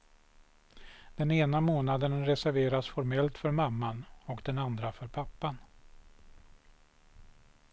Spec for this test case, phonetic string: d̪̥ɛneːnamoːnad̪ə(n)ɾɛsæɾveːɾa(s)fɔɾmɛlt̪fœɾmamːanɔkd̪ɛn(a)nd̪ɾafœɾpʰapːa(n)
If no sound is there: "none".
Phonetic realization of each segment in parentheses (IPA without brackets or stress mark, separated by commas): n, s, a, n